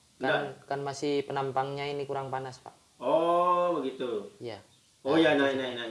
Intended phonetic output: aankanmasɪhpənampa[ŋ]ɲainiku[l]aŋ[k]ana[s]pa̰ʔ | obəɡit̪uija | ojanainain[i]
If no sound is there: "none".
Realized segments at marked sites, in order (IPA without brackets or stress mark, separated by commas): ŋ, ɾ, p, s, a